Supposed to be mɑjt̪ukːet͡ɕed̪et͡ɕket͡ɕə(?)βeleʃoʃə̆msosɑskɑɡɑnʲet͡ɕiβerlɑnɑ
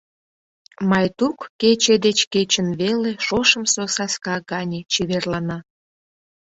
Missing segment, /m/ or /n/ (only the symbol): n